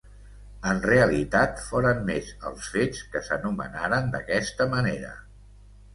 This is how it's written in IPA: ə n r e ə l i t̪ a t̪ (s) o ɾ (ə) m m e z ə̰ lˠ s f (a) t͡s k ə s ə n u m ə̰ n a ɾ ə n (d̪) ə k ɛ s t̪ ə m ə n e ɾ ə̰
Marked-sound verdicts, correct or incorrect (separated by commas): incorrect, correct, incorrect, correct